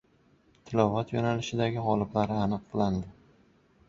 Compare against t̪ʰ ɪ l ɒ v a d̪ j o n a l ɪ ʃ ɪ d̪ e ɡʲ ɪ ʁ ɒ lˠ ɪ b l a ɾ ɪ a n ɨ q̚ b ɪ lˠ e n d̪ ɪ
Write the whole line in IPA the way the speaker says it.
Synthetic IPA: t̪ʰ ɪ l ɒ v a t̪ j o n a l ɪ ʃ ɪ d̪ a ɡʲ ɪ ʁ ɒ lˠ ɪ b l a ɾ ɪ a n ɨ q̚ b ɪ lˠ a n d̪ ɪ